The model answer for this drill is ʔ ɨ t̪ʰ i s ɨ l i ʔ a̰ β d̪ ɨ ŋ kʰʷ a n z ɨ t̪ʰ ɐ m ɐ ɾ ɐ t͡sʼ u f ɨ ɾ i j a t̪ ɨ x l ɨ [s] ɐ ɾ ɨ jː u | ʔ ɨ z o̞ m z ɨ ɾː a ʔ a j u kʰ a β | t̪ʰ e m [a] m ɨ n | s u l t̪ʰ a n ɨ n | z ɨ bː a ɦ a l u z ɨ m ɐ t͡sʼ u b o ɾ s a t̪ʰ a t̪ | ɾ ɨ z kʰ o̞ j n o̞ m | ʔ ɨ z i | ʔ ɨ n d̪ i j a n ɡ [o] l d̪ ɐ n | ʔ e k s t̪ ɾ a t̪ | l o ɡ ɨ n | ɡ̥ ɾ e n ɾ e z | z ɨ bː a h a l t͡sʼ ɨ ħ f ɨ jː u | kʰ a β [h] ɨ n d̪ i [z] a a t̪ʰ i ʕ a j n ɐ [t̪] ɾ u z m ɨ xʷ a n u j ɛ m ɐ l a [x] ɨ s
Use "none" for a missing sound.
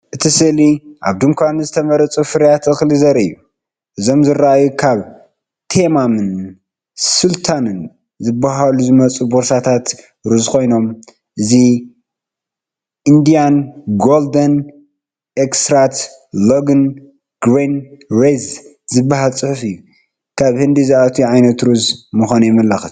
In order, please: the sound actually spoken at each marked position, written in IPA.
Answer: z, a, o, h, z, t̪, x

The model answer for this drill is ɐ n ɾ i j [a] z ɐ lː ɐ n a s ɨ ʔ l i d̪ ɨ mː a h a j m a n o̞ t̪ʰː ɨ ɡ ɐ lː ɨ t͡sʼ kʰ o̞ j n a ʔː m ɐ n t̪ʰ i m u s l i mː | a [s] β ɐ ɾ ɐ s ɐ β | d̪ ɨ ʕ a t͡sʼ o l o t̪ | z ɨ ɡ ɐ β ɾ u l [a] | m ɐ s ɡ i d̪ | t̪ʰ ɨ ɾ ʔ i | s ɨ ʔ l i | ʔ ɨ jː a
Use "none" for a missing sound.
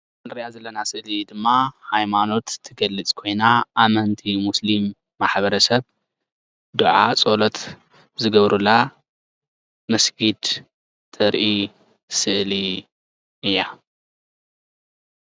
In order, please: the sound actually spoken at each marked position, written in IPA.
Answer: a, ħ, a

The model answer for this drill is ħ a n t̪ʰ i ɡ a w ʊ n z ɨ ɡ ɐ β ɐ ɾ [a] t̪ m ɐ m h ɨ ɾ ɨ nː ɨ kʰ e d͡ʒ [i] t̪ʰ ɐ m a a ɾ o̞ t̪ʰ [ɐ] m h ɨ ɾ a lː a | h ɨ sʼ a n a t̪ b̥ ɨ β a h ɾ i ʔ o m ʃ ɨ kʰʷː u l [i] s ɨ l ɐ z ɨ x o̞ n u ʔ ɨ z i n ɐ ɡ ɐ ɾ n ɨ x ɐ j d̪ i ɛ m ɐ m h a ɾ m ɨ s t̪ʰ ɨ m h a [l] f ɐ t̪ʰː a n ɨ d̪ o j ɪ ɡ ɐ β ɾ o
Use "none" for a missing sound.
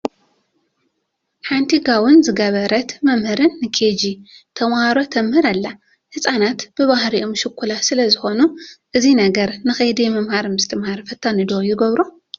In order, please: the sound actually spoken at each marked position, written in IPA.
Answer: ɐ, i, ɐ, a, ɾ

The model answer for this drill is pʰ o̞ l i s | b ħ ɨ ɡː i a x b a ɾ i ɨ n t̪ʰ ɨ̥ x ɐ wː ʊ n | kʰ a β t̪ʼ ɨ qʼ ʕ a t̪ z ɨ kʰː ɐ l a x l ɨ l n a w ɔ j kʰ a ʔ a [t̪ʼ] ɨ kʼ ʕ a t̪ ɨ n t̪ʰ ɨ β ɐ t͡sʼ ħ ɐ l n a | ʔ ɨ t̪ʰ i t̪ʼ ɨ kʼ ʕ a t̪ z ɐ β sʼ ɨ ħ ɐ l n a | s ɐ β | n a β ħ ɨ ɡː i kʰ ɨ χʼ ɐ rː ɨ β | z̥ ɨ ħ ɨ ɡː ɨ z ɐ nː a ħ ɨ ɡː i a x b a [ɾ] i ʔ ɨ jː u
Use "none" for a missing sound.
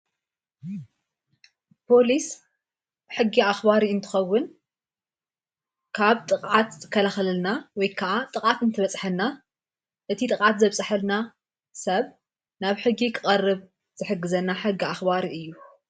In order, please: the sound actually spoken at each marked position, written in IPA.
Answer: t̪ʼ, ɾ

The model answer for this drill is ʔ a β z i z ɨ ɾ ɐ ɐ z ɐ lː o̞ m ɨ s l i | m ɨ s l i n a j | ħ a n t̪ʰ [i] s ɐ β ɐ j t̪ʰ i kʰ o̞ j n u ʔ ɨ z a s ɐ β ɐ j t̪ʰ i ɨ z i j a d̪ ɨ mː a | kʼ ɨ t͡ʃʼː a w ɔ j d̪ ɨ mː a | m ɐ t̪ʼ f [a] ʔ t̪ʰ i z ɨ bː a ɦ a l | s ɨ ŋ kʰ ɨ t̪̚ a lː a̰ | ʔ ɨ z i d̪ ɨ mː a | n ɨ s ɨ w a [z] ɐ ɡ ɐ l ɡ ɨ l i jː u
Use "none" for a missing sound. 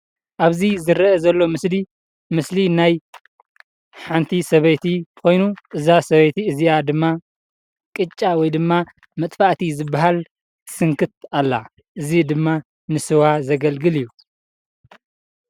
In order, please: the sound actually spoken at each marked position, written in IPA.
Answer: i, a, z

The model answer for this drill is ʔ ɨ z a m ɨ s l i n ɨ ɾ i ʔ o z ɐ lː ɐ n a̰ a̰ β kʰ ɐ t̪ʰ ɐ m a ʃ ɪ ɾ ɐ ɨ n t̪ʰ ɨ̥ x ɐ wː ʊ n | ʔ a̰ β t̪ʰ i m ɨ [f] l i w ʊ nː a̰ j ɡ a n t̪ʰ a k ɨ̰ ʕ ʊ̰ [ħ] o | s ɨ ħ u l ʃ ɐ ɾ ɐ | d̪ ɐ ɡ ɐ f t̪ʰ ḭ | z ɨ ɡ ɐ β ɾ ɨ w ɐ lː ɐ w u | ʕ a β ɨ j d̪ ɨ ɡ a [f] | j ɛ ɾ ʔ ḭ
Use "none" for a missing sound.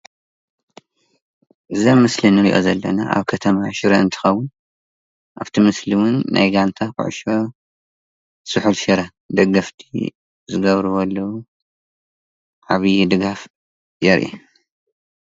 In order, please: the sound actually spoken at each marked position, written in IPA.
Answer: s, ʃ, f

